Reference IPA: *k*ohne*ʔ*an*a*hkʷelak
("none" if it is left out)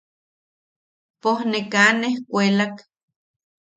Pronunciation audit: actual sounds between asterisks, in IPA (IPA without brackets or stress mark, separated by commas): p, k, e